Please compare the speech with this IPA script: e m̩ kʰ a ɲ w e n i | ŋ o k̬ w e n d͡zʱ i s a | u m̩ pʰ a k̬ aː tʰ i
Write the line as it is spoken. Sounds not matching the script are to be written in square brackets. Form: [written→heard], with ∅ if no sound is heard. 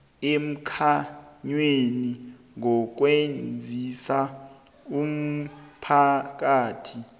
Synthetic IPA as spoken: e m̩ kʰ a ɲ w e n i | ŋ [o→ɔ] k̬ w e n d͡zʱ i s a | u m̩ pʰ a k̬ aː tʰ i